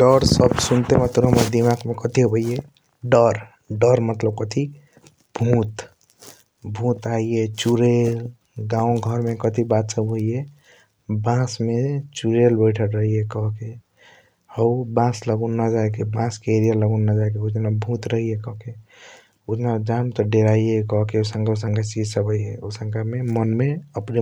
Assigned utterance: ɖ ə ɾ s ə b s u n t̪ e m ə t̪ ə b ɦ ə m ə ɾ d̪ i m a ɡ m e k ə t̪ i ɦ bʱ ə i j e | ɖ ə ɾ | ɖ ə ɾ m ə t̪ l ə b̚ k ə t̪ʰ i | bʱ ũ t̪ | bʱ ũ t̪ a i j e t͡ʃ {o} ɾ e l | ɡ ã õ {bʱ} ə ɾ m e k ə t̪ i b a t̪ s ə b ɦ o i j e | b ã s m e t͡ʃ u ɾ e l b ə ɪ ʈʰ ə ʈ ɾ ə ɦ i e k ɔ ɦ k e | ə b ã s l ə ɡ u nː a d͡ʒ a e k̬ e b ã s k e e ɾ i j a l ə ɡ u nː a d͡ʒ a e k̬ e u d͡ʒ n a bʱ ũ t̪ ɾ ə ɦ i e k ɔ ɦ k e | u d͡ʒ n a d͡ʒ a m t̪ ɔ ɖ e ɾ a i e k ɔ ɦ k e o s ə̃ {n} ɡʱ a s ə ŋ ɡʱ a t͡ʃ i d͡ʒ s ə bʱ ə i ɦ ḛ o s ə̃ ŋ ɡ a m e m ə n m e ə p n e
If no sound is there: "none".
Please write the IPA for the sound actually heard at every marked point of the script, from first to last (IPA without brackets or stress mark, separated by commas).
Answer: u, ɡʱ, ŋ